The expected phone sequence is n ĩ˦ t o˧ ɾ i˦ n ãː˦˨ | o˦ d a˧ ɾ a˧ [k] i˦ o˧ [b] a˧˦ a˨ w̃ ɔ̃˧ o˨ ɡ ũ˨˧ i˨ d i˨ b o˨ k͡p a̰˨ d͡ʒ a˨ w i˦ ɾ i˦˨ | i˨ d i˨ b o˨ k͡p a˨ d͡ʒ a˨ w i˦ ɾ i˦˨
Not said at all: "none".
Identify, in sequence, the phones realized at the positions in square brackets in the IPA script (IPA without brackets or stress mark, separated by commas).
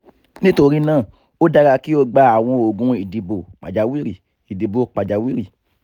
k, ɡ͡b